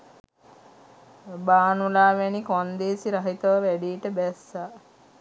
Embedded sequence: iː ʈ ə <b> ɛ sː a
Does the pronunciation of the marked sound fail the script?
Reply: no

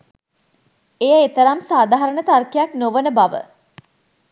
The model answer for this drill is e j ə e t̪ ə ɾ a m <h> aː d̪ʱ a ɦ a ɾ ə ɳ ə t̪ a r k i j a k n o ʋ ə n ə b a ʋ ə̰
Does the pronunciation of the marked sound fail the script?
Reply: yes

